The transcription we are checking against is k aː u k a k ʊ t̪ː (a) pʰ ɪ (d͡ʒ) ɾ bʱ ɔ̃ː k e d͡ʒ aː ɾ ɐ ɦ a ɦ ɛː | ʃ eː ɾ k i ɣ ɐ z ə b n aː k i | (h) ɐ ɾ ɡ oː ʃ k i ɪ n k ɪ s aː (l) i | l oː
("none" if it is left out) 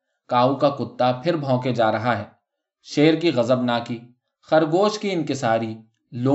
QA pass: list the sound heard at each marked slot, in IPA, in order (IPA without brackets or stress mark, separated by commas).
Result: a, none, x, ɾ